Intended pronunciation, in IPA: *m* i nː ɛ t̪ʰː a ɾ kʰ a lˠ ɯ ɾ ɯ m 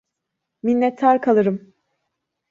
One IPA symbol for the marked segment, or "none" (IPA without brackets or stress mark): m